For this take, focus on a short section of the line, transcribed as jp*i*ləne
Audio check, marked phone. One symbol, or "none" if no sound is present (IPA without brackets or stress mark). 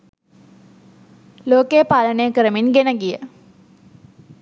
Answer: a